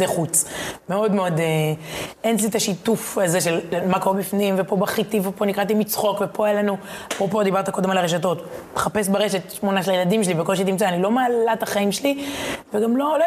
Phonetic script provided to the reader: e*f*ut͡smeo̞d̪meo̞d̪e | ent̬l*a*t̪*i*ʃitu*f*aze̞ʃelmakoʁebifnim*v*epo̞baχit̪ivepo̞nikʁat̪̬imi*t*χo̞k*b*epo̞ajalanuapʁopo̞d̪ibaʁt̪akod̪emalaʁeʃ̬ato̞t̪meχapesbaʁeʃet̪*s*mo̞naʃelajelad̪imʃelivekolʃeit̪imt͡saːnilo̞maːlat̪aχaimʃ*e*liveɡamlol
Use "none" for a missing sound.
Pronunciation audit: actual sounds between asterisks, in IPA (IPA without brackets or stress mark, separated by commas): χ, i, a, f, v, t͡s, v, ʃ, e